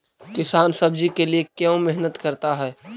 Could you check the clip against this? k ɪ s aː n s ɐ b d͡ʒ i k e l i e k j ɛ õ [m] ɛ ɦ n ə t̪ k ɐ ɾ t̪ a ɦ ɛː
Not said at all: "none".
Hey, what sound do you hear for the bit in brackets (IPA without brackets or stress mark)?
m